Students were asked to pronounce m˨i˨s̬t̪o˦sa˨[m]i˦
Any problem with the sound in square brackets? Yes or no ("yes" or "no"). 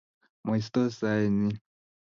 yes